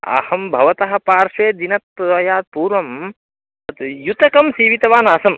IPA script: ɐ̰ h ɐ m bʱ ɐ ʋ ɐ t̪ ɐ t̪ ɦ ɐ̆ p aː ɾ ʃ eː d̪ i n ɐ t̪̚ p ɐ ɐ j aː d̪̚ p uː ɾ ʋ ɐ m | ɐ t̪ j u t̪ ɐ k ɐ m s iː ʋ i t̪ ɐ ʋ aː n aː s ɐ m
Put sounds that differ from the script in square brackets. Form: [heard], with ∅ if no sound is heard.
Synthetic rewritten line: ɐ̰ h ɐ m bʱ ɐ ʋ ɐ t̪ ɐ [∅] ɦ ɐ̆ p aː ɾ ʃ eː d̪ i n ɐ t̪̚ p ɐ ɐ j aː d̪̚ p uː ɾ ʋ ɐ m | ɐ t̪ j u t̪ ɐ k ɐ m s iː ʋ i t̪ ɐ ʋ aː n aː s ɐ m